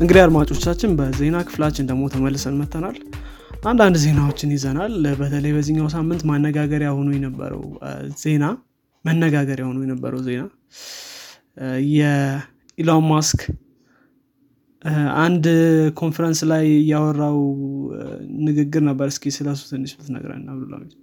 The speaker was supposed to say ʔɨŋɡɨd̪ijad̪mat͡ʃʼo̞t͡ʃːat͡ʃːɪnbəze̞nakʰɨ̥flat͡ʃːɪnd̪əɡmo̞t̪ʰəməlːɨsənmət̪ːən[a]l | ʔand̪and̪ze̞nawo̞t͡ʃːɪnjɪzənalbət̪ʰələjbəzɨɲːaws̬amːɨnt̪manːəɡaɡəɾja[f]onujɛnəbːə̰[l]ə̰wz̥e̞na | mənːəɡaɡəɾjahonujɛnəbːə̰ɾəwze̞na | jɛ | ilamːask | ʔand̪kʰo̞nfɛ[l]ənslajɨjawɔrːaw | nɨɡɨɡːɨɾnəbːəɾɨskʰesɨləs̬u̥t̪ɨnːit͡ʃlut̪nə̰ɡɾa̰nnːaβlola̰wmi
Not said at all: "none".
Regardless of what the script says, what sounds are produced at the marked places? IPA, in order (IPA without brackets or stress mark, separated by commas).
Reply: a, h, ɾ, ɾ